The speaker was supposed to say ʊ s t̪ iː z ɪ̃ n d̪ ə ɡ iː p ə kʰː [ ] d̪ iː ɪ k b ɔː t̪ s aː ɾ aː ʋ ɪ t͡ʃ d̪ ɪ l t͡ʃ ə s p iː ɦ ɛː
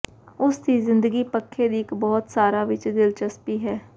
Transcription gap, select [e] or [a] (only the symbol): e